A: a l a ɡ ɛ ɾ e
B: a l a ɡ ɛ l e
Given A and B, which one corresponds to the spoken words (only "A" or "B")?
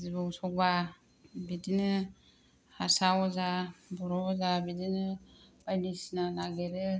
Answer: A